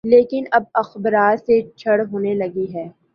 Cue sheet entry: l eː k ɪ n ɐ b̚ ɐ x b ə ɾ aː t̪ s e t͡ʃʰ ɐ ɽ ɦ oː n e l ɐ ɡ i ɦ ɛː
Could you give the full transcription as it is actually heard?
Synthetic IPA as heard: l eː k ɪ n ɐ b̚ ɐ x b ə ɾ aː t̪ s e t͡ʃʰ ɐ ɽ ɦ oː n e l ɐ ɡ i ɦ ɛː